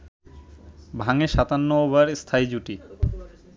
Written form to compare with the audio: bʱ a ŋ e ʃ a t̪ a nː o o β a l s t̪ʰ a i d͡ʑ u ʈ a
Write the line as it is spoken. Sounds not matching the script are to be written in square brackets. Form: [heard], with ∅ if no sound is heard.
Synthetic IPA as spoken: bʱ a ŋ e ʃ a t̪ a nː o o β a [ɾ] s t̪ʰ a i d͡ʑ u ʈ [i]